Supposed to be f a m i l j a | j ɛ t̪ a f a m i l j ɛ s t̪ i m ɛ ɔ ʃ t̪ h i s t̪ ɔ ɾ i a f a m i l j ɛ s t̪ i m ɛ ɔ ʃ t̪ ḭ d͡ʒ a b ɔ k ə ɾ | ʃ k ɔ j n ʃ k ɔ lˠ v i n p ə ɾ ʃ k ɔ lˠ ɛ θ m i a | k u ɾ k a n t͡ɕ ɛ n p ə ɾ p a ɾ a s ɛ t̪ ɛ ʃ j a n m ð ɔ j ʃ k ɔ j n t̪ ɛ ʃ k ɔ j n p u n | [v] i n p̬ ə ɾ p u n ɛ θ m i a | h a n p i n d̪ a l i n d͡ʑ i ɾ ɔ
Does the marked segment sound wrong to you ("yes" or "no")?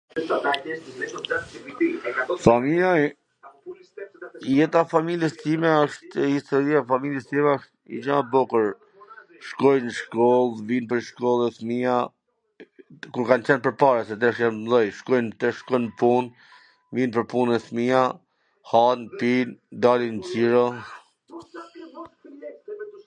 no